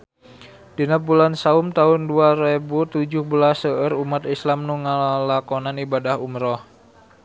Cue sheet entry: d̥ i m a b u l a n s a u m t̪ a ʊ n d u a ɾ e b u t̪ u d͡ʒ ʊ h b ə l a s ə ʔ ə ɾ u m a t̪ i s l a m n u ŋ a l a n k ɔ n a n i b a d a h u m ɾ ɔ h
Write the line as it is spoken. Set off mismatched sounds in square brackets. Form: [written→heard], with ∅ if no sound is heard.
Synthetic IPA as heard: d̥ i [m→n] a b u l a n s a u m t̪ a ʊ n d u a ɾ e b u t̪ u d͡ʒ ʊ h b ə l a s ə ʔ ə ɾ u m a t̪ i s l a m n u ŋ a l a [n→∅] k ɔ n a n i b a d a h u m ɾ ɔ h